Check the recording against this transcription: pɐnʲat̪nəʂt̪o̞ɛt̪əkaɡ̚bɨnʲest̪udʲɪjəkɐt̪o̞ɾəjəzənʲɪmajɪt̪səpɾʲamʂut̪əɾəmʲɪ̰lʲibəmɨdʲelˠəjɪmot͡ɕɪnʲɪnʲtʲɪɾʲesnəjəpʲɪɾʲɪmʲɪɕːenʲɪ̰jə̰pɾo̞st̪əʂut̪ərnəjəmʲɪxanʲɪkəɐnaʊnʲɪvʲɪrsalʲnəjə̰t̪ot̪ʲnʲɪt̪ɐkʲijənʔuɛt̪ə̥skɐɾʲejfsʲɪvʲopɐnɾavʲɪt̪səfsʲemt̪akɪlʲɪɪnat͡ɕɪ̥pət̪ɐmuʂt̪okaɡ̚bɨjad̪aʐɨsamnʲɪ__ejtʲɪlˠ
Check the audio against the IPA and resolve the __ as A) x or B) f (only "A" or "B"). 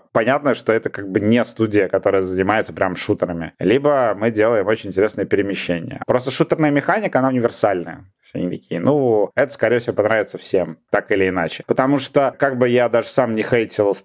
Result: A